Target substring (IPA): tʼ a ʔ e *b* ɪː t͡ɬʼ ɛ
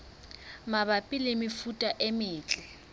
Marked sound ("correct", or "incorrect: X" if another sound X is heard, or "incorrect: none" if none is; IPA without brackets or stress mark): incorrect: m